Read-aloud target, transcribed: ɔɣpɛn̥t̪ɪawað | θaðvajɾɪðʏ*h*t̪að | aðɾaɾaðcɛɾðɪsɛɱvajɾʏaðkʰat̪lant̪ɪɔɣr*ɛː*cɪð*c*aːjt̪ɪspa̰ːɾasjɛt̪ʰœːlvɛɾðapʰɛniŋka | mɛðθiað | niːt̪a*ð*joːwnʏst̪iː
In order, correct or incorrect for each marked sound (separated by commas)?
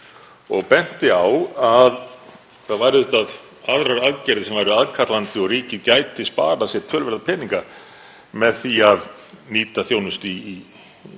correct, incorrect, correct, incorrect